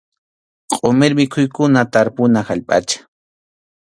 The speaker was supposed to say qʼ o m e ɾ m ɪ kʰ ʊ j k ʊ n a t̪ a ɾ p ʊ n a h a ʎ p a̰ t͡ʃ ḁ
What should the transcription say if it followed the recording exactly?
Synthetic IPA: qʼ o m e ɾ m ɪ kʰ ʊ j k ʊ n a t̪ a ɾ p ʊ n a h a ʎ pʼ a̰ t͡ʃ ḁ